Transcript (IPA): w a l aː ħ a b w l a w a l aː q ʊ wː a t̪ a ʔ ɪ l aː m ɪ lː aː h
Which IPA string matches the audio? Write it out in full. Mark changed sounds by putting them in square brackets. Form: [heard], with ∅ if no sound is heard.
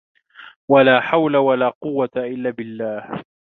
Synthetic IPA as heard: w a l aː ħ a [∅] w l a w a l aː q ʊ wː a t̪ a ʔ ɪ [lː] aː [b] ɪ lː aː h